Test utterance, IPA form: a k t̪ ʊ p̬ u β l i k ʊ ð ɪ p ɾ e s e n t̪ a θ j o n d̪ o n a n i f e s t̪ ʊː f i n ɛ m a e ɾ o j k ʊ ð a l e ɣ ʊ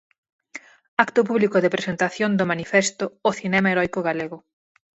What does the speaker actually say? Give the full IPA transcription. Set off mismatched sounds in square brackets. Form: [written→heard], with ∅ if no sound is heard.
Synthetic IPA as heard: a k t̪ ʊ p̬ u β l i k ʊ ð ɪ p ɾ e s e n t̪ a θ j o n d̪ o [n→m] a n i f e s t̪ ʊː [f→θ] i n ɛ m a e ɾ [o→ɔ] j k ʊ [ð→ɣ] a l e ɣ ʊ